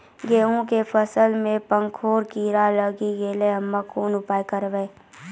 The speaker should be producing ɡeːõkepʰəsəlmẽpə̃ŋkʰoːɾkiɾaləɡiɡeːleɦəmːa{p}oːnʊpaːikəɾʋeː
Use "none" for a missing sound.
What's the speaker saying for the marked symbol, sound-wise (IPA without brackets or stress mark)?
k